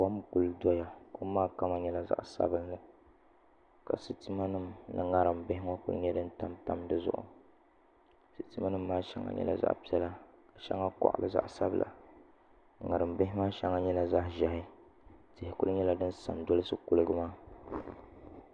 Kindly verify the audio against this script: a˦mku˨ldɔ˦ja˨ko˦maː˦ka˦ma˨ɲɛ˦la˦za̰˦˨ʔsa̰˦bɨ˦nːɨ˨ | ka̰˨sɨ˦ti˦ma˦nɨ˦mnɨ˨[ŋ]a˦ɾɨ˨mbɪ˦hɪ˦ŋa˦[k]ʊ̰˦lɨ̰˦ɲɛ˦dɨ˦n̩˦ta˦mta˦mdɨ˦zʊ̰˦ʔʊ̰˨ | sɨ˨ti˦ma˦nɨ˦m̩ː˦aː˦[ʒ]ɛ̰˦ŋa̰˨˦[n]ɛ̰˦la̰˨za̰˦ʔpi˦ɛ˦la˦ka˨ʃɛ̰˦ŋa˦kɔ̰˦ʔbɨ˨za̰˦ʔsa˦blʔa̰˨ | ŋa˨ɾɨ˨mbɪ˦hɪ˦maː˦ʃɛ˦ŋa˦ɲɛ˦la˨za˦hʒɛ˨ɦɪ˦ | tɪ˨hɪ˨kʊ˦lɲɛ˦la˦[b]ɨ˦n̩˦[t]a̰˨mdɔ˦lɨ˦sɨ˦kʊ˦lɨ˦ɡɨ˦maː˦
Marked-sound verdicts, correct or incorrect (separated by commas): correct, correct, incorrect, incorrect, incorrect, incorrect